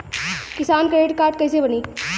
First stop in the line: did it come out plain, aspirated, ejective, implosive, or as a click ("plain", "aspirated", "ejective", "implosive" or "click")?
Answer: plain